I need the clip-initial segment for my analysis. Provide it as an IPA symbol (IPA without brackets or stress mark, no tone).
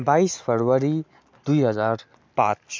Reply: b